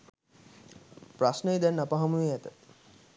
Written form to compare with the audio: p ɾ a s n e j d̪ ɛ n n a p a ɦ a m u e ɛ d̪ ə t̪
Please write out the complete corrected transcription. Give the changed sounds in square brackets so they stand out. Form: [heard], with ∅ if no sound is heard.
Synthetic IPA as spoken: p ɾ a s n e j d̪ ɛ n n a p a ɦ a m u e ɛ [t̪] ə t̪